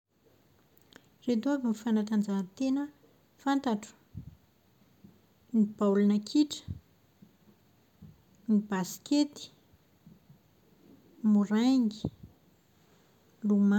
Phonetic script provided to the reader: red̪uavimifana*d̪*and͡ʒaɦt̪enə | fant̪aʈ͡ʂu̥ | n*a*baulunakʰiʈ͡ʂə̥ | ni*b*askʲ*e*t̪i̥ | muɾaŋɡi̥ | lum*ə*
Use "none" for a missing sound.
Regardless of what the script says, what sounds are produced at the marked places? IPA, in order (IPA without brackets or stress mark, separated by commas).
t̪, i, b, e, a